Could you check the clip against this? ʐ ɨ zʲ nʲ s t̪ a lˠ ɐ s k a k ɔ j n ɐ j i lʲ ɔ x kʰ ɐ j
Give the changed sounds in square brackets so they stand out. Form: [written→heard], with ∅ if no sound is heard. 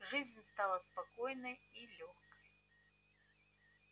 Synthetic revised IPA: ʐ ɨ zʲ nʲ s t̪ a lˠ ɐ s [k→p] a k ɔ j n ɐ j i lʲ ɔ x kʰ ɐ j